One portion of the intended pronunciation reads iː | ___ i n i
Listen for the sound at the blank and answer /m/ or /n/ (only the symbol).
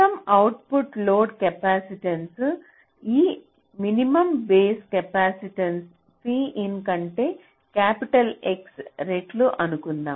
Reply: m